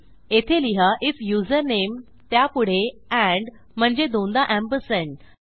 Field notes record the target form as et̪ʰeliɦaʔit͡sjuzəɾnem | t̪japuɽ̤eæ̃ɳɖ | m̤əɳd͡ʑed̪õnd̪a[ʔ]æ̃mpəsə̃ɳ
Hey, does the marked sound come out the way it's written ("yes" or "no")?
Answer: yes